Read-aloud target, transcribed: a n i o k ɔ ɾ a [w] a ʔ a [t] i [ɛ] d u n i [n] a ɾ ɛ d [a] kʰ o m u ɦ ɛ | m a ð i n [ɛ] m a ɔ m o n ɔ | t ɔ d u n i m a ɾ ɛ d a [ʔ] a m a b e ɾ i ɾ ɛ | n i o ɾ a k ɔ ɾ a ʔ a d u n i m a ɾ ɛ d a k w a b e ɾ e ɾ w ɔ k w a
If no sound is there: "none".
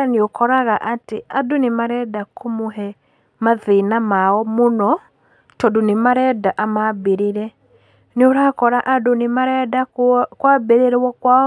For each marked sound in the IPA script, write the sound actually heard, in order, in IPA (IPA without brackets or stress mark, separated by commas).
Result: ɣ, t, a, m, a, a, ʔ